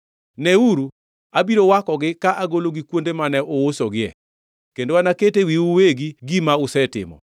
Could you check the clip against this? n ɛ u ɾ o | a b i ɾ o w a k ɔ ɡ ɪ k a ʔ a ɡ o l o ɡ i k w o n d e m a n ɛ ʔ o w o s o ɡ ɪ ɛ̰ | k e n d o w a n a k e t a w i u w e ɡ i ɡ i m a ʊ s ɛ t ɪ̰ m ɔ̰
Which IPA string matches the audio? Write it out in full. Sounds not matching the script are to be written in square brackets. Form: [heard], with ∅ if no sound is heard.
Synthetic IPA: n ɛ u ɾ [u] | a b i ɾ o w a k ɔ ɡ ɪ k a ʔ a ɡ o l o ɡ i k w o n d e m a n ɛ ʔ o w o s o ɡ ɪ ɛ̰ | k e n d o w a n a k e t [e] w i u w e ɡ i ɡ i m a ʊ s ɛ t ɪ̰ m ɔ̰